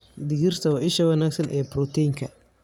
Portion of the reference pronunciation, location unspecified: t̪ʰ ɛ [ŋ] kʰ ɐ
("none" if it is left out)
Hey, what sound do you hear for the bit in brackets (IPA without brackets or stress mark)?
ŋ